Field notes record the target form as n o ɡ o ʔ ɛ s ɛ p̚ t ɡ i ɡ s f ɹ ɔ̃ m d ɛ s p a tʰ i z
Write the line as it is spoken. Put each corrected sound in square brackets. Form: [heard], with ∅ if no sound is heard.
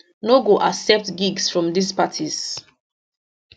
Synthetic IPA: n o ɡ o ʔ [a] s ɛ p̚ t ɡ i ɡ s f ɹ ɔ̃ m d [i] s p a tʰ i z